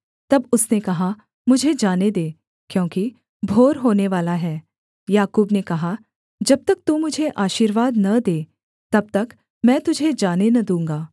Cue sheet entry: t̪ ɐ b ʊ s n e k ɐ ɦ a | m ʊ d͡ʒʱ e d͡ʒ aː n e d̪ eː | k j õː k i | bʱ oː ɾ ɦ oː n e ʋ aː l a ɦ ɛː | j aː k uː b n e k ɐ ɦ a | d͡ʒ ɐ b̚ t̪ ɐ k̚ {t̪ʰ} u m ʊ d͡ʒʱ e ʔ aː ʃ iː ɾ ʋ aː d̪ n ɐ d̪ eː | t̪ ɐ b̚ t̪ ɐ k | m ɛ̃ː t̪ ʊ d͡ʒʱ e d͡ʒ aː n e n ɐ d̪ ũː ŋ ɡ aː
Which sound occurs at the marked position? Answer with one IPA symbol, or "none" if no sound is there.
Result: t̪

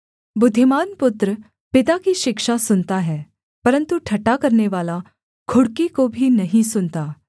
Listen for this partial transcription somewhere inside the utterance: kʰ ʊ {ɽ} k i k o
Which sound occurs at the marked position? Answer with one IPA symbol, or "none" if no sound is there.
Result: ɽ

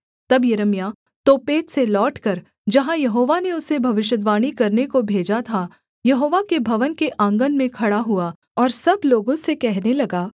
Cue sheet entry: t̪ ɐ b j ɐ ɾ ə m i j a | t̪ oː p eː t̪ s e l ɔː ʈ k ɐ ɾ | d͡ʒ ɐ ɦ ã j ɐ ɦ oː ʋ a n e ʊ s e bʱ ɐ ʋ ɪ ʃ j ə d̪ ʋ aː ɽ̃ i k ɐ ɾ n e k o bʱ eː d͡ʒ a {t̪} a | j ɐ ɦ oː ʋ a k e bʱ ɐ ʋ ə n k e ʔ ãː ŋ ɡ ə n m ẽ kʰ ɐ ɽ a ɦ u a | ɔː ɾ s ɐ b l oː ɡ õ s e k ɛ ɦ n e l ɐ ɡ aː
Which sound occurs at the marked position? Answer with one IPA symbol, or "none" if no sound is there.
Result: t̪ʰ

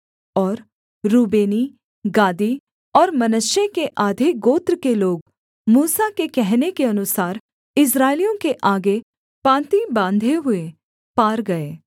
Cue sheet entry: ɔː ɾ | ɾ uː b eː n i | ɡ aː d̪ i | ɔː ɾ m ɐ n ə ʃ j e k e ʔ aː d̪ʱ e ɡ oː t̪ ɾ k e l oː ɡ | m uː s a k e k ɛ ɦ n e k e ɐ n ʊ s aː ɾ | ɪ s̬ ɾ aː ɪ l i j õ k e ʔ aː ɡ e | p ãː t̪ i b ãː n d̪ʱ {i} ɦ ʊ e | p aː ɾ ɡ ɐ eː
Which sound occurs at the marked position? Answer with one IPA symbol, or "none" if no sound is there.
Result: e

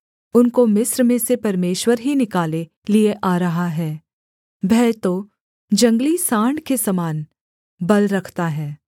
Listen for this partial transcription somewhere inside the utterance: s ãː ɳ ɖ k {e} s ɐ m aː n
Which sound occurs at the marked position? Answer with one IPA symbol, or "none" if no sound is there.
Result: e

